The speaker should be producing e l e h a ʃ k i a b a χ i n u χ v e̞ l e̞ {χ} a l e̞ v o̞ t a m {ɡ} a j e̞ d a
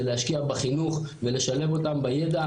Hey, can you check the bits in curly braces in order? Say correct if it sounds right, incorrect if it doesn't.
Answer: incorrect: ʃ, incorrect: b

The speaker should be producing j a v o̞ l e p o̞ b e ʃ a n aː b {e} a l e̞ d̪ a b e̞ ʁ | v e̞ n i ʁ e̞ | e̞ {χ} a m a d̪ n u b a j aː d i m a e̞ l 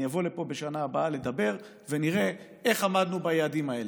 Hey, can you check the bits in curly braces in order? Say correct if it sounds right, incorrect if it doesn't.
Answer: incorrect: a, correct

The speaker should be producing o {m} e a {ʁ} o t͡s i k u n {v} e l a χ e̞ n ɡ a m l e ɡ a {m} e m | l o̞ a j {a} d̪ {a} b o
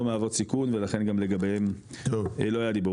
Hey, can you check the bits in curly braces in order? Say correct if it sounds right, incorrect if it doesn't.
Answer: correct, incorrect: v, correct, incorrect: b, correct, incorrect: i

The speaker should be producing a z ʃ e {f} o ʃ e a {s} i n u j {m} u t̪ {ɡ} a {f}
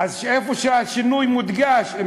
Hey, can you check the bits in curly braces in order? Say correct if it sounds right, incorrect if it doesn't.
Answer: correct, incorrect: ʃ, correct, correct, incorrect: ʃ

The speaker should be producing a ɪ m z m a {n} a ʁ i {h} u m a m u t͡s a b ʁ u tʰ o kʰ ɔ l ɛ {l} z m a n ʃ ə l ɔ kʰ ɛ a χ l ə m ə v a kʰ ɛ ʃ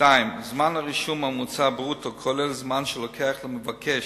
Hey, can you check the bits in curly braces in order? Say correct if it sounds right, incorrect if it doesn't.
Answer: correct, incorrect: ʃ, correct

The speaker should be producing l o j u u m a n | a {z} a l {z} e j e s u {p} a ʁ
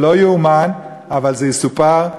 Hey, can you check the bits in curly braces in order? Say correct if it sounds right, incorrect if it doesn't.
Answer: incorrect: v, correct, correct

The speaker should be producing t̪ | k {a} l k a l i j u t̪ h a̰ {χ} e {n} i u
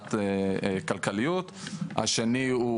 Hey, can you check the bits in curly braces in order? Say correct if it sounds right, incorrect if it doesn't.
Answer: correct, incorrect: ʃ, correct

